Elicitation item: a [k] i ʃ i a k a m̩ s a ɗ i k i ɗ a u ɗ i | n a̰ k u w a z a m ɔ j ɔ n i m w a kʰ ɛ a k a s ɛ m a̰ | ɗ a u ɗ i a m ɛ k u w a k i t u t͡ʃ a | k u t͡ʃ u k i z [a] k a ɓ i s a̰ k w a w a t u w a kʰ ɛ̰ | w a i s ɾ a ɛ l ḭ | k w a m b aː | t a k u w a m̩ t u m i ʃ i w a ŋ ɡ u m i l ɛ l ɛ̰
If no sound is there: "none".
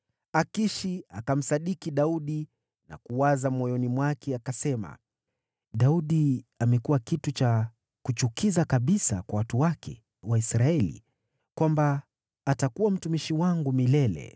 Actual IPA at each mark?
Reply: k, a

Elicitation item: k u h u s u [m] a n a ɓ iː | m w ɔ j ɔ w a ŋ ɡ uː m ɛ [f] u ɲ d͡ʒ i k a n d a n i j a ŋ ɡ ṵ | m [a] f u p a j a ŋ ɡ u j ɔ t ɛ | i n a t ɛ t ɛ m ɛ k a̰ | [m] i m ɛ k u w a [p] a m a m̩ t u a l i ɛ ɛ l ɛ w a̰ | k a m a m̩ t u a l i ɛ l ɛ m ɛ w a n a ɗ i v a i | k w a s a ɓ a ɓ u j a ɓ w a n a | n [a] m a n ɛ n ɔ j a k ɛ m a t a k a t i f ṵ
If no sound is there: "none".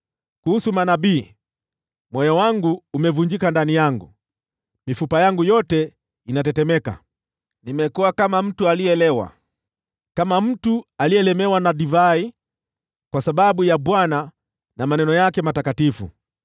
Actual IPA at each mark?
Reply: m, v, i, n, k, a

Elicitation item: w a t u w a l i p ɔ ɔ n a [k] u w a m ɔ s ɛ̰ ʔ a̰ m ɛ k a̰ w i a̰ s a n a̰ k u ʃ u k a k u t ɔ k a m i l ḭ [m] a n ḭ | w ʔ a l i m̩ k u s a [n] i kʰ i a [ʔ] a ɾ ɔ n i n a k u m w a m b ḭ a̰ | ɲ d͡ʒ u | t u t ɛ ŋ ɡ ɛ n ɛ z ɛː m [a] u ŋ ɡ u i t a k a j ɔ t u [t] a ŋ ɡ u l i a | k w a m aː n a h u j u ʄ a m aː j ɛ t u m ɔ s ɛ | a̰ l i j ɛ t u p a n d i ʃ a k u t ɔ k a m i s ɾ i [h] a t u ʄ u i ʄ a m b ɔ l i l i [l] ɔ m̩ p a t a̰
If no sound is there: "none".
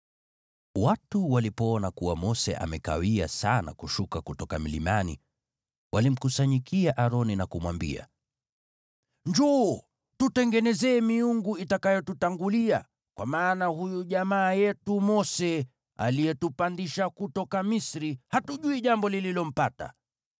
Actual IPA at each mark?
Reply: k, m, ɲ, ʔ, i, t, h, l

